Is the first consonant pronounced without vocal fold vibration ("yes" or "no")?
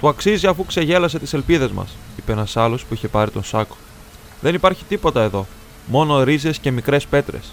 yes